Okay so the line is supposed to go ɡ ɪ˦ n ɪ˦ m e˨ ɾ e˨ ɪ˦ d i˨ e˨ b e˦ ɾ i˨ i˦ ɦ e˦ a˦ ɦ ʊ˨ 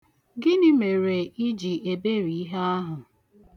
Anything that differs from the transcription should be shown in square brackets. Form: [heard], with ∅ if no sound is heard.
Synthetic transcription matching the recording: ɡ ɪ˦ n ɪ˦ m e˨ ɾ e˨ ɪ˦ [d͡ʒ] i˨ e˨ b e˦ ɾ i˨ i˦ ɦ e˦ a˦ ɦ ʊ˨